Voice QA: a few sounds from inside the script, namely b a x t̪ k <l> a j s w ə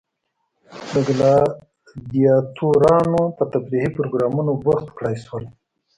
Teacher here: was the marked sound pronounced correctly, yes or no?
no